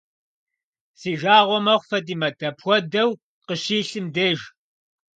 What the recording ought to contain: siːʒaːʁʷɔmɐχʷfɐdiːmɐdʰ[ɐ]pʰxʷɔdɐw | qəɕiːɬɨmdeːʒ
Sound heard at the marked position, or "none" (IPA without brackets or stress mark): ɐ